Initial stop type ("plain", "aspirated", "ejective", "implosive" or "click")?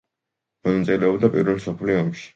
plain